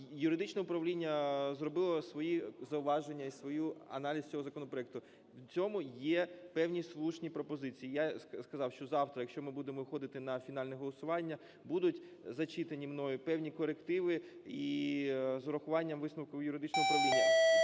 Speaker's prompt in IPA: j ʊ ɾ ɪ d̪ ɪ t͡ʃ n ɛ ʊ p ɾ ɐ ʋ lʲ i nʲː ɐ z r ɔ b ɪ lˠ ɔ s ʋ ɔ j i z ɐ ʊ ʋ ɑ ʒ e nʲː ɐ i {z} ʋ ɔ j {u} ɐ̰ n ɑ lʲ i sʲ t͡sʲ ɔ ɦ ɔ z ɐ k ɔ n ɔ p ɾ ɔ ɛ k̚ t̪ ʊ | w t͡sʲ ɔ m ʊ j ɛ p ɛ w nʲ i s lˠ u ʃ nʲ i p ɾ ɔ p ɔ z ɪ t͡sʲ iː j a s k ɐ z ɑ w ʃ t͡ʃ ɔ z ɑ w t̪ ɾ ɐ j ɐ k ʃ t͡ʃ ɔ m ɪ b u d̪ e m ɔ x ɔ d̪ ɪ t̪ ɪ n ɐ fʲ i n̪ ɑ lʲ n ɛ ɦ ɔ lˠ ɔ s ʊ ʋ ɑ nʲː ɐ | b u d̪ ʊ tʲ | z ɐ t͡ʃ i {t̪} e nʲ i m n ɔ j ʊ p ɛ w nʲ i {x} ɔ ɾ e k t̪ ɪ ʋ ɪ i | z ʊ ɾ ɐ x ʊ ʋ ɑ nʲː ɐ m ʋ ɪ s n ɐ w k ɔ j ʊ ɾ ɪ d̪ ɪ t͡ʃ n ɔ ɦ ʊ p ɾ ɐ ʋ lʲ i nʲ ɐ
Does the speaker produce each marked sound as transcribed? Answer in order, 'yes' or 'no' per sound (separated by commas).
no, yes, yes, no